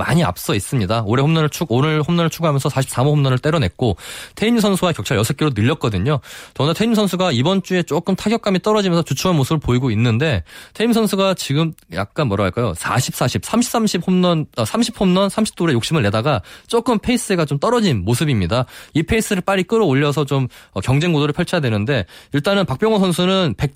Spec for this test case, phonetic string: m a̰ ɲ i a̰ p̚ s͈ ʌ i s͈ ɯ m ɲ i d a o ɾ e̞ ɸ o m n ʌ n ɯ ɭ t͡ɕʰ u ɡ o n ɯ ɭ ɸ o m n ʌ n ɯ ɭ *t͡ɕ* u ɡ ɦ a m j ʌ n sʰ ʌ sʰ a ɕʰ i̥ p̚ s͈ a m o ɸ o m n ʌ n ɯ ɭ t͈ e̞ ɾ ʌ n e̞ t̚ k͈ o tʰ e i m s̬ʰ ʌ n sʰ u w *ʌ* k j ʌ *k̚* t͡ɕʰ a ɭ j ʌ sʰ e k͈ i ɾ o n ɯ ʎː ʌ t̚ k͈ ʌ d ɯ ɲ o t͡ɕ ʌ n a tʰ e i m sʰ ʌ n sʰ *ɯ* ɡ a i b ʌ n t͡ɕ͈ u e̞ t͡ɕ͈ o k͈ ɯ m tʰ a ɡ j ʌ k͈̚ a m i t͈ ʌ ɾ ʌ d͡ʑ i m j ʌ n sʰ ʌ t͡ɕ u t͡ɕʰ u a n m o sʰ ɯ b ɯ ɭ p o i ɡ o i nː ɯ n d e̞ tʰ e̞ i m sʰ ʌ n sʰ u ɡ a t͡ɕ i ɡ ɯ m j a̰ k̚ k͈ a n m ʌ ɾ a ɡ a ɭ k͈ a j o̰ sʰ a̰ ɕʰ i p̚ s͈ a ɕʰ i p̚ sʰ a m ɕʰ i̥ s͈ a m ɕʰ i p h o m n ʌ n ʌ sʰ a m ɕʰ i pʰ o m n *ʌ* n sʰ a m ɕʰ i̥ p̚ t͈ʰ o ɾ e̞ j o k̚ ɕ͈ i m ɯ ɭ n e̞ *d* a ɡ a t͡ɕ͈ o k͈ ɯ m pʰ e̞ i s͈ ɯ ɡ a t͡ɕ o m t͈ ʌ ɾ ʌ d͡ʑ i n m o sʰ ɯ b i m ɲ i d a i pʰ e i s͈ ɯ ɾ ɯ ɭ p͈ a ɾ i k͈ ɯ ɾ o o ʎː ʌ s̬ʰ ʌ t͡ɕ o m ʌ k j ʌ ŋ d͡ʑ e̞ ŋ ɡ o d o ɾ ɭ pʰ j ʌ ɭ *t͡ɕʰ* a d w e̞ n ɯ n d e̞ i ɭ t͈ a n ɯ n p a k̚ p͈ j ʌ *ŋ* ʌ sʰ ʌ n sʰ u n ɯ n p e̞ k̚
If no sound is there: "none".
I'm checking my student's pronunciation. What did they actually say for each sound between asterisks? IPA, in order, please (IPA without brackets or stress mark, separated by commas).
t͡ɕʰ, a, k̚, u, ʌ, d, t͡ɕʰ, ŋ